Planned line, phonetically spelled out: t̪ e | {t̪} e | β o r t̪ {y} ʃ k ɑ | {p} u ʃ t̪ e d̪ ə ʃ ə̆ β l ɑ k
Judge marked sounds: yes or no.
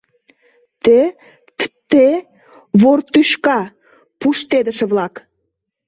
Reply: yes, yes, yes

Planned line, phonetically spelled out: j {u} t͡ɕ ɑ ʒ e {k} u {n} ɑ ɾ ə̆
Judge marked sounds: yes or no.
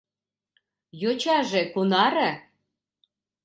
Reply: no, yes, yes

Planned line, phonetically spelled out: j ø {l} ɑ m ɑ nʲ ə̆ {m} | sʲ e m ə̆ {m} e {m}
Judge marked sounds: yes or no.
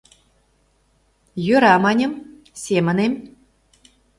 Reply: no, yes, no, yes

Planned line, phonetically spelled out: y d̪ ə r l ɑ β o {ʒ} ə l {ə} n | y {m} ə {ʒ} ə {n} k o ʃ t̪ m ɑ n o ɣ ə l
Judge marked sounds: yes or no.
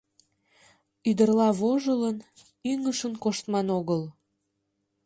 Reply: yes, yes, no, no, yes

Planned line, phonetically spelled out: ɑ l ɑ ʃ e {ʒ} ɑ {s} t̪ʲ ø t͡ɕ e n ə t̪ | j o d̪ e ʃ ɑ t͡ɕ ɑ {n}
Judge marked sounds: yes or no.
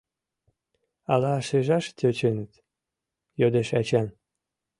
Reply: yes, no, yes

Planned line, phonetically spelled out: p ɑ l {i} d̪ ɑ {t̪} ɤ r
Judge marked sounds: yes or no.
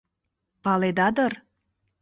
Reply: no, no

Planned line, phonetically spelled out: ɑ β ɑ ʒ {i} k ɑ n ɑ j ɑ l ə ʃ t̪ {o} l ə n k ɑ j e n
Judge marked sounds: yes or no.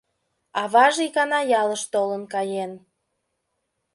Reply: yes, yes

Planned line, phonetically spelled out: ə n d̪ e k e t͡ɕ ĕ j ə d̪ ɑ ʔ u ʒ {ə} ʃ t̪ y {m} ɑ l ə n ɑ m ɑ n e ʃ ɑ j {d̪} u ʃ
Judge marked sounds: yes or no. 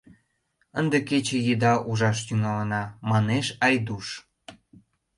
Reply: no, no, yes

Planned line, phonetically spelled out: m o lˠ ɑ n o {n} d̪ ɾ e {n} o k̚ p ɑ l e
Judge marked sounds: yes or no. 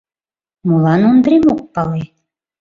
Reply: yes, no

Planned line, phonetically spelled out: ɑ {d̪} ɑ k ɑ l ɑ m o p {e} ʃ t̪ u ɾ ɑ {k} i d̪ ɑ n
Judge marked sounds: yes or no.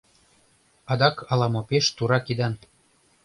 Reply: yes, yes, yes

